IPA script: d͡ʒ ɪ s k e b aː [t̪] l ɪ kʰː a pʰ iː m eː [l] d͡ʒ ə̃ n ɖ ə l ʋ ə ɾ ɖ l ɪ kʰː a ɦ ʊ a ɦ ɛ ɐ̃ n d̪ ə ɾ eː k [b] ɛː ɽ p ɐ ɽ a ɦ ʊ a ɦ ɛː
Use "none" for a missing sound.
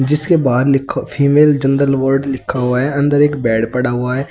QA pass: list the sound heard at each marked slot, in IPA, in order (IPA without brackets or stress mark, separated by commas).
d̪, l, b